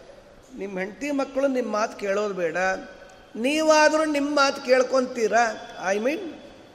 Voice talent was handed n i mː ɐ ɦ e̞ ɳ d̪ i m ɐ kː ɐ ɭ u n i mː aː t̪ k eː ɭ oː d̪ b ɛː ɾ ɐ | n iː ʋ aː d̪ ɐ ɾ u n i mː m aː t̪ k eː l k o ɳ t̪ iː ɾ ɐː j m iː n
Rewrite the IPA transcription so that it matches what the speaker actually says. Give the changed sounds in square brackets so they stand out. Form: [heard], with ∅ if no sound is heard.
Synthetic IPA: n i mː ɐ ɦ e̞ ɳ [t̪] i m ɐ kː ɐ ɭ u n i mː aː t̪ k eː ɭ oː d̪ b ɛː [ɽ] ɐ | n iː ʋ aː d̪ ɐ ɾ u n i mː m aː t̪ k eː [ɭ] k o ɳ t̪ iː ɾ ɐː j m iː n